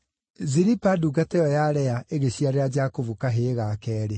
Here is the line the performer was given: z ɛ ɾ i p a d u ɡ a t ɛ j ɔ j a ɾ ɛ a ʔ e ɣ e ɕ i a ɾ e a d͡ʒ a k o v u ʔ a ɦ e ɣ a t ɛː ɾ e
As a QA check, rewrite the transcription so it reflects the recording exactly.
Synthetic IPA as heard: z i ɾ i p a d u ɡ a t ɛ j ɔ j a ɾ ɛ a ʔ e ɣ e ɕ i a ɾ e a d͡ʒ a k o v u k a ɦ e ɣ a k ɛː ɾ e